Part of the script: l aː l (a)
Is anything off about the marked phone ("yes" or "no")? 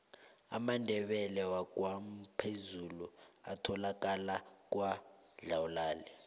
yes